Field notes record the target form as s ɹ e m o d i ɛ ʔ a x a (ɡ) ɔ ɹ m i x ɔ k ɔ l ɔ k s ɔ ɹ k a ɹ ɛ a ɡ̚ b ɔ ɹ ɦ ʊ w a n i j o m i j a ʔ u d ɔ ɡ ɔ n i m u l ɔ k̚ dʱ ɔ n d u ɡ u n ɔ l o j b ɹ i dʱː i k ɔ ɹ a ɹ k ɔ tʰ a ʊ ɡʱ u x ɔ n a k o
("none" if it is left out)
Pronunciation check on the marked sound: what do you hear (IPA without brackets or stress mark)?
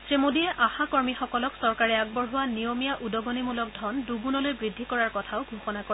k